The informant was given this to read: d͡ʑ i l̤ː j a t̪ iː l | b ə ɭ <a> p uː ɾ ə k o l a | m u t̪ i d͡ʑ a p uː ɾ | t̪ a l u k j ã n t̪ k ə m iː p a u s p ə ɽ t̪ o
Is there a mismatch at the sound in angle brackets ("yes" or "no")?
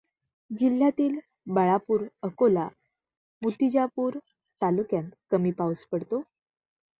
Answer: no